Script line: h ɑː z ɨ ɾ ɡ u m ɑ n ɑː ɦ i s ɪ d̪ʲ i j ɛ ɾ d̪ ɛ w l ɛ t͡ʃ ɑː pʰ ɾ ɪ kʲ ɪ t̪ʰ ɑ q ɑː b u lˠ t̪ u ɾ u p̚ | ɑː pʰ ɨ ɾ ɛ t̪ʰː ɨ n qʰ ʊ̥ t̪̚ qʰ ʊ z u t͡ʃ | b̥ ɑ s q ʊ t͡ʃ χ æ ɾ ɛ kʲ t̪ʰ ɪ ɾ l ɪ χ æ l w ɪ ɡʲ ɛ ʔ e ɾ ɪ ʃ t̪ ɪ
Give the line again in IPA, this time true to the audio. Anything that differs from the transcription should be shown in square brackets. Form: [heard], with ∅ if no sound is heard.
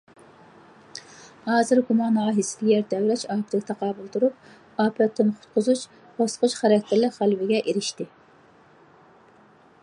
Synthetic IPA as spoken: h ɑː z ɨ ɾ ɡ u m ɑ n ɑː ɦ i s ɪ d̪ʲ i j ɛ ɾ d̪ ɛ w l ɛ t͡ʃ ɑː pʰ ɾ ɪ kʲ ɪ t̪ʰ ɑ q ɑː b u lˠ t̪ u ɾ u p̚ | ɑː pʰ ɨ ɾ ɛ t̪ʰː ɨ n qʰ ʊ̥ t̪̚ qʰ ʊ z u t͡ʃ | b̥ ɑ s q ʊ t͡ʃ χ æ ɾ ɛ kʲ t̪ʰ ɪ ɾ l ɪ χ æ l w ɪ ɡʲ ɛ ʔ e ɾ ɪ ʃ t̪ ɪ